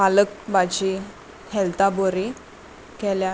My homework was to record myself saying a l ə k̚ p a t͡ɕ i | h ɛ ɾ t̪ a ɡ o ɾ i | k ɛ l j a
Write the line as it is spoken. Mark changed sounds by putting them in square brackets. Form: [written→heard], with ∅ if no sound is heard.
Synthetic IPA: a l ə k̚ [p→b] a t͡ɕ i | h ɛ [ɾ→l] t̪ a [ɡ→b] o ɾ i | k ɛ l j a